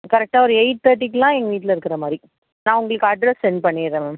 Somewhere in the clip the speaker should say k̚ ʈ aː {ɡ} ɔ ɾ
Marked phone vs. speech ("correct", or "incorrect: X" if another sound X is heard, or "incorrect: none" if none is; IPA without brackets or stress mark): incorrect: none